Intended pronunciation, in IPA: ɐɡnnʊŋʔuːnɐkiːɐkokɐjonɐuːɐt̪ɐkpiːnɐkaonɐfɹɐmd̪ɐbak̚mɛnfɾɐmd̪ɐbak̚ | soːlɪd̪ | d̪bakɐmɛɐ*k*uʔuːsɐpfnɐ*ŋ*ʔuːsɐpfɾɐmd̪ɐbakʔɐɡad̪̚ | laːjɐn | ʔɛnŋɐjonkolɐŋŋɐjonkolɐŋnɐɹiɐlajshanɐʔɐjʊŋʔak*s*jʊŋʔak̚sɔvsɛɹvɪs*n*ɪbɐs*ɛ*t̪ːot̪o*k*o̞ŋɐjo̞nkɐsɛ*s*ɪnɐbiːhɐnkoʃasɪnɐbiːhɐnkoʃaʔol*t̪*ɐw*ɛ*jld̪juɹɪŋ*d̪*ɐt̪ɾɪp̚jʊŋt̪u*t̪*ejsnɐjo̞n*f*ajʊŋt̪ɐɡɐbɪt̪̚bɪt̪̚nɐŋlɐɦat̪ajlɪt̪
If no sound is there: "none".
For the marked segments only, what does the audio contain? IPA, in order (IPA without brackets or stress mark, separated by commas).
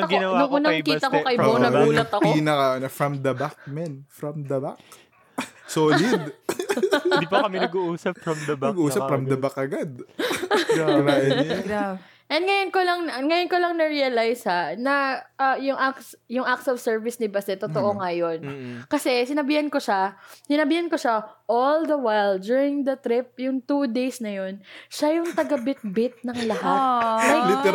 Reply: ɡ, ɡ, s, n, ɛ, ʔ, s, d̪, a, d̪, d̪, ʃ